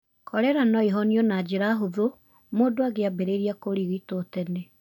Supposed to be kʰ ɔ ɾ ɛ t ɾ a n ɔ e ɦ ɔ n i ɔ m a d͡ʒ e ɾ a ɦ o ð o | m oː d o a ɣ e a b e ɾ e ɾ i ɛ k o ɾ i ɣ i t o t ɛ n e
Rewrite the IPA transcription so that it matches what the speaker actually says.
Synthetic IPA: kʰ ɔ ɾ ɛ ɾ a n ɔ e ɦ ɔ n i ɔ n a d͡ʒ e ɾ a ɦ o ð o | m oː d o a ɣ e a b e ɾ e ɾ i a k o ɾ i ɣ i t o t ɛ n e

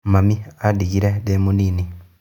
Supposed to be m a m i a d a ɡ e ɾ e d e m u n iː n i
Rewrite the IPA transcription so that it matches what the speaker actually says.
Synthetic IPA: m a m i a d i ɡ i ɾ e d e m u n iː n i

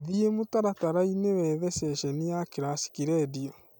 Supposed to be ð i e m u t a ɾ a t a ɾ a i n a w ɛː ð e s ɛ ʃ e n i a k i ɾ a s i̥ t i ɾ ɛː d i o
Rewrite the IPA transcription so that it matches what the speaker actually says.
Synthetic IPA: ð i e m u t a ɾ a t a ɾ a i n e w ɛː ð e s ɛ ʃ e n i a k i ɾ a s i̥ k i ɾ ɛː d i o

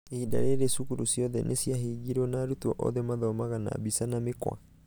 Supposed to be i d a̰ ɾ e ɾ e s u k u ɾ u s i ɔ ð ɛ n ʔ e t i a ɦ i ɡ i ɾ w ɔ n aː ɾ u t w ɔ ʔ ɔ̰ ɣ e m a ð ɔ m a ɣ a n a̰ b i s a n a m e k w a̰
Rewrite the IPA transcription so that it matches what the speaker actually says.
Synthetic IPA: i d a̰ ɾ e ɾ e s u k u ɾ u s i ɔ ð ɛ n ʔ e s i a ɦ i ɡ i ɾ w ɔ n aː ɾ u t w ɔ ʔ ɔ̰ ð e m a ð ɔ m a ɣ a n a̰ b i s a n a m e k w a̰

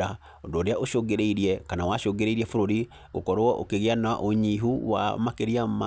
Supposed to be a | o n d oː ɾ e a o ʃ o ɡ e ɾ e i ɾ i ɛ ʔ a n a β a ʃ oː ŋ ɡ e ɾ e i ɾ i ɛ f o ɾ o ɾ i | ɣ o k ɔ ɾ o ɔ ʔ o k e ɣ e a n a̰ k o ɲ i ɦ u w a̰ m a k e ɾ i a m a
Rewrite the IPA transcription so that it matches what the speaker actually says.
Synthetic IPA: a | o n d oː ɾ e a o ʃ o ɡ e ɾ e i ɾ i ɛ k a n a w a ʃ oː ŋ ɡ e ɾ e i ɾ i ɛ f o ɾ o ɾ i | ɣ o k ɔ ɾ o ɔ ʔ o k e ɣ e a n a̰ ʔ o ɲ i ɦ u w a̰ m a k e ɾ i a m a

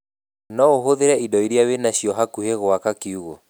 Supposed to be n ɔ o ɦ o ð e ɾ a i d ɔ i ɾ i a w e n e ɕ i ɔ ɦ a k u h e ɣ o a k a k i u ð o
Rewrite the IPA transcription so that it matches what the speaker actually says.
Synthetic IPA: n ɔ o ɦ o ð e ɾ ɛ i d ɔ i ɾ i a w e n a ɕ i ɔ ɦ a k u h e ɣ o a k a k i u ɣ o

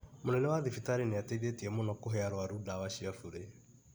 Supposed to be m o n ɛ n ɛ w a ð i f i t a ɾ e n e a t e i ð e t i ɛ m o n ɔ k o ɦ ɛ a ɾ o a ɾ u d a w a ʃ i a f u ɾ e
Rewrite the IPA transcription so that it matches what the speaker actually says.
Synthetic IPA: m o n ɛ n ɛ w a ð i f i t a ɾ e n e a t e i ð e t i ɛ m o n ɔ k o ɦ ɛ a ɾ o a ɾ u d a w a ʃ i a f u ɾ e

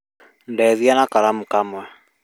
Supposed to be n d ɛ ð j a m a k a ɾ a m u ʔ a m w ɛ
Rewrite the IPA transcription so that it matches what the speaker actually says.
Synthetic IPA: n d ɛ ð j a n a k a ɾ a m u k a m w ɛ

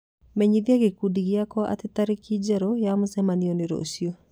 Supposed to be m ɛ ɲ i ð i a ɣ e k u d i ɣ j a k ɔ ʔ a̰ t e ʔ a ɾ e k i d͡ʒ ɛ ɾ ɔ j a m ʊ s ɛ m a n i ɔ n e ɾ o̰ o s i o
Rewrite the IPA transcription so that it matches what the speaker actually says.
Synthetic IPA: m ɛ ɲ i ð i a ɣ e k u d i ɣ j a k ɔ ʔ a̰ t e t a ɾ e k i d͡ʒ ɛ ɾ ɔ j a m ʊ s ɛ m a n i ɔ n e ɾ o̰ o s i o

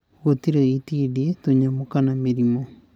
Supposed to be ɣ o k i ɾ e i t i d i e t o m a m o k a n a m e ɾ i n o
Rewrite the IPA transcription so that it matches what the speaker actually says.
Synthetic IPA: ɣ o t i ɾ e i t i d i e t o ɲ a m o k a n a m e ɾ i m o

